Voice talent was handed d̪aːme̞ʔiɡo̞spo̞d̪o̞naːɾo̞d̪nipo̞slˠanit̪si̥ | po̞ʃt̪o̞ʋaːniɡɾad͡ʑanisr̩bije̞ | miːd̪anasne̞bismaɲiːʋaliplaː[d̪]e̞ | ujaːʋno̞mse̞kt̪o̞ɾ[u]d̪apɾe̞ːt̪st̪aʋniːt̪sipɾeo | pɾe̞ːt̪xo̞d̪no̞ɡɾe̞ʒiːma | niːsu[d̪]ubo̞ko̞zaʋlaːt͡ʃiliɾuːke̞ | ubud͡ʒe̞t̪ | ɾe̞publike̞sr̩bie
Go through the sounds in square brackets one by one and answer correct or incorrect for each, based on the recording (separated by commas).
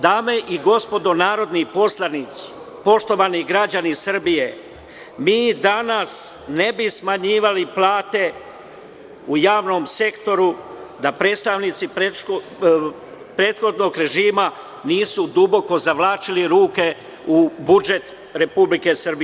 incorrect, correct, correct